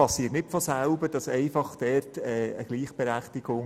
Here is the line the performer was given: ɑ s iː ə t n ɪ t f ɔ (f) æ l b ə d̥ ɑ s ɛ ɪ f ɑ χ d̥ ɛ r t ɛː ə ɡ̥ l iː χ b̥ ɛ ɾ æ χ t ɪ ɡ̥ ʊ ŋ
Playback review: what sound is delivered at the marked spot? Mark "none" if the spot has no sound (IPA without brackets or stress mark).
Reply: s